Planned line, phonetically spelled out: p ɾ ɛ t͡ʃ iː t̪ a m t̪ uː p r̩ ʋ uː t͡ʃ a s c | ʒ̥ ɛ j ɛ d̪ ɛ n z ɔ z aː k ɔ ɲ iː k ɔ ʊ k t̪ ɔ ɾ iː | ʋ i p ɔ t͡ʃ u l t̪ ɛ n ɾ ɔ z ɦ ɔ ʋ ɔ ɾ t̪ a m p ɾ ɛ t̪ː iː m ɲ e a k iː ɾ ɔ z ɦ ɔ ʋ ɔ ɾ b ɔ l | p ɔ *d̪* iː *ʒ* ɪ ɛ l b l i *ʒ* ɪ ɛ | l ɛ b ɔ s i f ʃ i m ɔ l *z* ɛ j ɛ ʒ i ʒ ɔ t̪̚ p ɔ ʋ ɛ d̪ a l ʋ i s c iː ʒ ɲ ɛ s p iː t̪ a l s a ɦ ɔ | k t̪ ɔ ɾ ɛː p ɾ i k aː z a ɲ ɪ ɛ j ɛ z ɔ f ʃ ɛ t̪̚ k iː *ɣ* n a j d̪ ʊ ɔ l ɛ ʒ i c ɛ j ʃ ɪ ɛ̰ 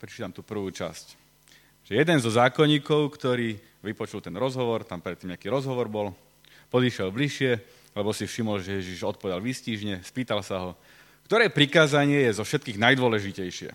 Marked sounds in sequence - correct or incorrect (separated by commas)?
correct, incorrect, incorrect, incorrect, correct